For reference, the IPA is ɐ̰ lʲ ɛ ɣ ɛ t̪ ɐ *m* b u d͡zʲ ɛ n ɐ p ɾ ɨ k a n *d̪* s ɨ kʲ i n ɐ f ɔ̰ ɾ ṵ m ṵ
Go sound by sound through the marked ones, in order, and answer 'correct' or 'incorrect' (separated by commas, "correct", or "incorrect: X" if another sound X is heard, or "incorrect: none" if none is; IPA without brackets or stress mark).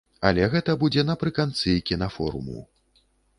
incorrect: none, incorrect: t̪